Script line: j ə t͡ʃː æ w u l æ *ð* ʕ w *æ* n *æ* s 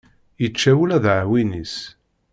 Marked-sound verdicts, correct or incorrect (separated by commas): correct, incorrect, incorrect